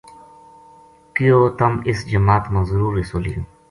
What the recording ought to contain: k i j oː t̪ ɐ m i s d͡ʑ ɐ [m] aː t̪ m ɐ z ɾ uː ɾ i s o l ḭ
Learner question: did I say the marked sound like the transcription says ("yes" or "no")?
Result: yes